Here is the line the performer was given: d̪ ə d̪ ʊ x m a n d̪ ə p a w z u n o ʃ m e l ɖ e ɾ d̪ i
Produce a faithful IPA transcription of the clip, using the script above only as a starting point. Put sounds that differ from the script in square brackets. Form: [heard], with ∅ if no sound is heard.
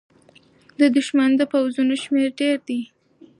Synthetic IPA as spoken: d̪ ə d̪ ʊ [ʃ] m a n d̪ ə p a w z u n o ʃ m e [ɾ] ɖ e ɾ d̪ i